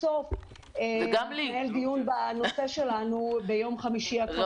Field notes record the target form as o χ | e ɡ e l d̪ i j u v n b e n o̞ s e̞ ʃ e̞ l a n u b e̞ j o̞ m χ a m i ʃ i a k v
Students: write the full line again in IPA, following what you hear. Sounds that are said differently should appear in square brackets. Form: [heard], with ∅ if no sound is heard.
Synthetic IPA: o [f] | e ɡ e l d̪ i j u [∅] n b [a] n o̞ s e̞ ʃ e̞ l a n u b e̞ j o̞ m χ a m i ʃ i a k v